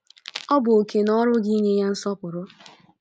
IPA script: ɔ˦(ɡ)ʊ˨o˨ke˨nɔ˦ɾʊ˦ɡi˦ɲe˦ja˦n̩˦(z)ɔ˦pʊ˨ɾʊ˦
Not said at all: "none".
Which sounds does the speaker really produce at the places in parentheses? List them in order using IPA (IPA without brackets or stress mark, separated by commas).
b, s